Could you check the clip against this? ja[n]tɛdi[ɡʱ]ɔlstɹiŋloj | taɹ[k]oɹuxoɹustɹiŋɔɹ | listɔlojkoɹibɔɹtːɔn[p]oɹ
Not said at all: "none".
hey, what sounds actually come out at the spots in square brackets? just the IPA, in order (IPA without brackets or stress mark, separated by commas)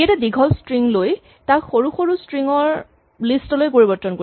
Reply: none, ɡʱ, x, k